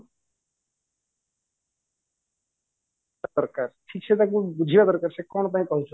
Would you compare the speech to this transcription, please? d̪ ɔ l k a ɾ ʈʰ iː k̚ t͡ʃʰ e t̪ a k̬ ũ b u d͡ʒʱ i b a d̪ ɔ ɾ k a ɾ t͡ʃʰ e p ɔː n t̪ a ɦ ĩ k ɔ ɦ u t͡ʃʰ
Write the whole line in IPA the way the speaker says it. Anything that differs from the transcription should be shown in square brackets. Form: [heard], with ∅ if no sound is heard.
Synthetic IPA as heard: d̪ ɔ [ɾ] k a ɾ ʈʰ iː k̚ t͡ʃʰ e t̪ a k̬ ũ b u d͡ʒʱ i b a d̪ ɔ ɾ k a ɾ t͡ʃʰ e [k] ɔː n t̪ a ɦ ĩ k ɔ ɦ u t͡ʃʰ